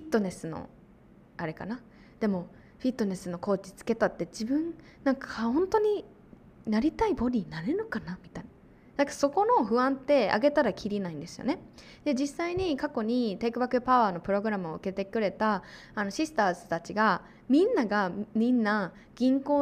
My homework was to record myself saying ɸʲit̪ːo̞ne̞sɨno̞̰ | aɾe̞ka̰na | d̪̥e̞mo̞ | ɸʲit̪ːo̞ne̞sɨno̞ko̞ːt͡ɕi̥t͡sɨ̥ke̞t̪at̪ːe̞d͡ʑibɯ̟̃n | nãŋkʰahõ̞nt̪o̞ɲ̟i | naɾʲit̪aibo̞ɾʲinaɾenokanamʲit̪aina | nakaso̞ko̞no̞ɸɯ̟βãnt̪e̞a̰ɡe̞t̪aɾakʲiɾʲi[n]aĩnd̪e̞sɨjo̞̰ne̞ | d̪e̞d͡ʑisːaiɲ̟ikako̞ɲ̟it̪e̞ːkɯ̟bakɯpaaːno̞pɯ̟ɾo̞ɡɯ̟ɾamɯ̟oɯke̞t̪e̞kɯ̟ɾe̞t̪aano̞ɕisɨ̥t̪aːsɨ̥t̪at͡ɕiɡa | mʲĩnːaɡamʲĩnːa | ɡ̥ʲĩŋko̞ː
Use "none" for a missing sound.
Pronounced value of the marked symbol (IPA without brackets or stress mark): n